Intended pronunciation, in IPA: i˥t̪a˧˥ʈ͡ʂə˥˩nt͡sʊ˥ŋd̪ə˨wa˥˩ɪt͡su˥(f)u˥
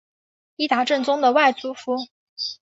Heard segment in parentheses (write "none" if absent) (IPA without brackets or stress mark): f